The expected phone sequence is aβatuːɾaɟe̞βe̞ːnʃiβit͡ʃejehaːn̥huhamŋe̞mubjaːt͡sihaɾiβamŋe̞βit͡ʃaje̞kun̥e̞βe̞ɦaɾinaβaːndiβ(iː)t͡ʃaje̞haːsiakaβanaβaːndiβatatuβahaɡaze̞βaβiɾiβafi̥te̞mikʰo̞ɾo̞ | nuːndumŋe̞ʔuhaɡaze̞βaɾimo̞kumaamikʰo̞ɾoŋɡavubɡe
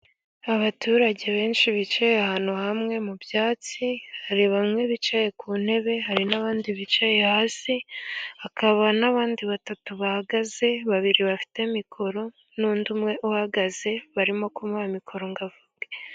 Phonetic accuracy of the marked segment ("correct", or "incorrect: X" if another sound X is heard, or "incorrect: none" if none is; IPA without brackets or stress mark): incorrect: i